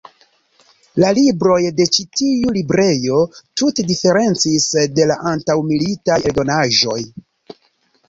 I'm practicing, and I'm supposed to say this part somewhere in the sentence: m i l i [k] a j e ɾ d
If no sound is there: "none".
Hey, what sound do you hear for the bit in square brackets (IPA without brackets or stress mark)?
t